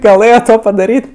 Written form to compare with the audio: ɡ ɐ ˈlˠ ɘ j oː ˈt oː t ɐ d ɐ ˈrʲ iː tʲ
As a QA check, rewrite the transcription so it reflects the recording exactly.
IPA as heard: ɡ ɐ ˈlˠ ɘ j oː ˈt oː p ɐ d ɐ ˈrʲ iː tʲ